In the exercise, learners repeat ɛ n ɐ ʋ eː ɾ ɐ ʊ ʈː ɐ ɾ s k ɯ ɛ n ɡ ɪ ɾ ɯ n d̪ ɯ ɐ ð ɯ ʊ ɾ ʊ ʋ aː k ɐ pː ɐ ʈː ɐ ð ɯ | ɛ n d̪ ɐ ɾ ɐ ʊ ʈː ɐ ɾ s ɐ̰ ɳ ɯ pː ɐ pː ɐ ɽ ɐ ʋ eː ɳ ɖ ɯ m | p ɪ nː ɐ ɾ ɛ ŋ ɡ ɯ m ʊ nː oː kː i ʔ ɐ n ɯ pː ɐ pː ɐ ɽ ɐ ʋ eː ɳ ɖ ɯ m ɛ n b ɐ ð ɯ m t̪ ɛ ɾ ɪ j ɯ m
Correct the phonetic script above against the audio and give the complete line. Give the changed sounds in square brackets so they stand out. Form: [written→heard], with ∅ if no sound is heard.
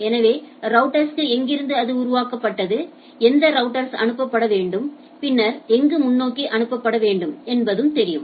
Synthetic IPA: ɛ n ɐ ʋ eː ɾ ɐ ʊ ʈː ɐ ɾ s k ɯ ɛ [n→ŋ] ɡ ɪ ɾ ɯ n d̪ ɯ ɐ ð ɯ ʊ ɾ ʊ ʋ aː k ɐ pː ɐ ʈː ɐ ð ɯ | ɛ n d̪ ɐ ɾ ɐ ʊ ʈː ɐ ɾ s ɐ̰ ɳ ɯ pː ɐ pː ɐ ɽ ɐ ʋ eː ɳ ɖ ɯ m | p ɪ nː ɐ ɾ ɛ ŋ ɡ ɯ m ʊ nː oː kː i ʔ ɐ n ɯ pː ɐ pː ɐ ɽ ɐ ʋ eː ɳ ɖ ɯ m ɛ n b ɐ ð ɯ m t̪ ɛ ɾ ɪ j ɯ m